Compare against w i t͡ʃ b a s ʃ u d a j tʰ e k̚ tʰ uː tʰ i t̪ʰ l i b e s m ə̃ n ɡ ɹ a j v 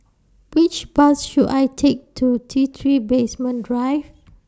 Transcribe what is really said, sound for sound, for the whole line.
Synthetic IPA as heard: w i t͡ʃ b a s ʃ u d a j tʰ e k̚ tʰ u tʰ i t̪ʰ ɹ i b e s m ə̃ n d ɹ a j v